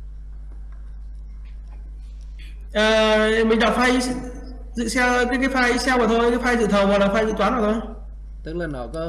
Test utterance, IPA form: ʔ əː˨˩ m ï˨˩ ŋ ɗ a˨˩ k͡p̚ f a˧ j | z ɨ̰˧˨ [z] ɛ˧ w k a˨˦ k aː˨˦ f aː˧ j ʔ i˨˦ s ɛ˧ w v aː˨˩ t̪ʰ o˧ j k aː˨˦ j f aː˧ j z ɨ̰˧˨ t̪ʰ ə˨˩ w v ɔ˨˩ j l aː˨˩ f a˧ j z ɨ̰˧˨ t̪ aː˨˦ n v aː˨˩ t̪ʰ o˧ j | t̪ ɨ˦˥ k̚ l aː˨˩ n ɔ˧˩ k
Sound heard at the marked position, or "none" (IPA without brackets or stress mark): s